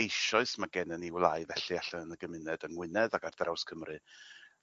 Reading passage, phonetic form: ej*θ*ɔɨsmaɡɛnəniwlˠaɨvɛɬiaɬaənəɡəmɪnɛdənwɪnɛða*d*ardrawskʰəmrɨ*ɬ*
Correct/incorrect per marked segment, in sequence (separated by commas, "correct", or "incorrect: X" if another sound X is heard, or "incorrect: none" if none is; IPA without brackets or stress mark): incorrect: ʃ, incorrect: ɡ, incorrect: none